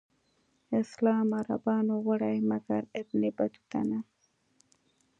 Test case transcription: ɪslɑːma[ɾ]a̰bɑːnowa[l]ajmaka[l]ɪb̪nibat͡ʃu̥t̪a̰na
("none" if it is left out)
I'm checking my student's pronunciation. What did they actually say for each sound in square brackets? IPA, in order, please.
ɾ, ɽ, ɾ

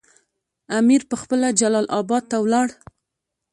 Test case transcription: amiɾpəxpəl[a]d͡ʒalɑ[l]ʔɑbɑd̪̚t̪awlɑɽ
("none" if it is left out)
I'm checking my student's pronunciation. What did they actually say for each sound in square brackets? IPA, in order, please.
a, l

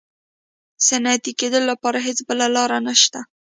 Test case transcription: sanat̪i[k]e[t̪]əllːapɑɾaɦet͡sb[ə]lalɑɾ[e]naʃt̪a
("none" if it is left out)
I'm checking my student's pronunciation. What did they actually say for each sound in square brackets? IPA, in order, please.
k, d̪, ə, a

